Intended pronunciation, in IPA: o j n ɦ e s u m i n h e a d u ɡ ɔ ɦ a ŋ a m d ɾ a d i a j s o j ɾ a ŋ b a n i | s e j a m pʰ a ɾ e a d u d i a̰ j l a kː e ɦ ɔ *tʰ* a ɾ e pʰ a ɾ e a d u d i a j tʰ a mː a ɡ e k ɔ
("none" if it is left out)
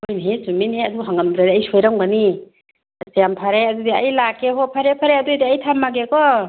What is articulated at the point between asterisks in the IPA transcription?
pʰ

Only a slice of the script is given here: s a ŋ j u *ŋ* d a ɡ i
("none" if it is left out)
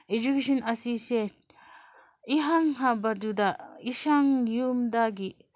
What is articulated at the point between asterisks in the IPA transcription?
m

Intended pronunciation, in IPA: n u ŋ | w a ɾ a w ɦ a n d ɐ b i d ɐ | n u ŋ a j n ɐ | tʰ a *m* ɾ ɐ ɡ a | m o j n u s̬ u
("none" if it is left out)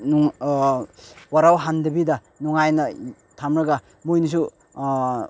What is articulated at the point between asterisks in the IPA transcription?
m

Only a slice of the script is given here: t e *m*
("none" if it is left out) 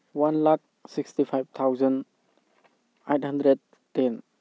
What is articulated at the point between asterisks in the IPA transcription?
n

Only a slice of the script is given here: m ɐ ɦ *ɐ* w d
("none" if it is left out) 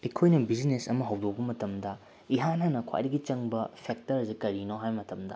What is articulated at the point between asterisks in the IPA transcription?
ɐ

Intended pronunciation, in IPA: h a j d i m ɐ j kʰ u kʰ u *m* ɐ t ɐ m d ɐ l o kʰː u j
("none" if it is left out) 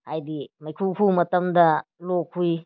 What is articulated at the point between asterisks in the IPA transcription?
m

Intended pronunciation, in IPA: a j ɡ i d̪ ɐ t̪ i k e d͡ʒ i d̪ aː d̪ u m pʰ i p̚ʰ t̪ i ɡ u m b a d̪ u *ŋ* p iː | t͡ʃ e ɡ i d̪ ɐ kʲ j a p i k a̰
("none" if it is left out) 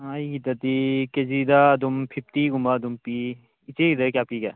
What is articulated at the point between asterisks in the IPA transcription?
m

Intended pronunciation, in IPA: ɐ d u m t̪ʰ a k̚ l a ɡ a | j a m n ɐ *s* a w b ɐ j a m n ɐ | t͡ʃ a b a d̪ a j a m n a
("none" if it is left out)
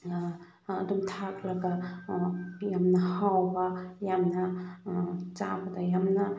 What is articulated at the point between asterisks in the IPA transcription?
h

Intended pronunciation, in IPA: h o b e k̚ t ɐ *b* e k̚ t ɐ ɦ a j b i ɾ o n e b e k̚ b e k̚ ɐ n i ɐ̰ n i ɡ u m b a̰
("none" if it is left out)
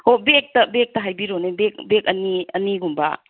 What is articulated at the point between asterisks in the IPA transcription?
b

